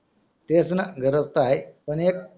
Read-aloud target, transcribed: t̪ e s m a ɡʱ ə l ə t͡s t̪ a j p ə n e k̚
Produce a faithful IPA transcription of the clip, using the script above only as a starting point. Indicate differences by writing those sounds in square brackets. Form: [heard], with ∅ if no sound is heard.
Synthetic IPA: t̪ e s [n] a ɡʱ ə [ɾ] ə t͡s t̪ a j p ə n e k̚